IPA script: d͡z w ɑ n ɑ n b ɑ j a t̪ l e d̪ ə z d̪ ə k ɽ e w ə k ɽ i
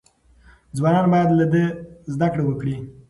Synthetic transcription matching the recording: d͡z w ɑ n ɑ n b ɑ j a d̪ l a d̪ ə z d̪ a k ɽ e w ə k ɽ i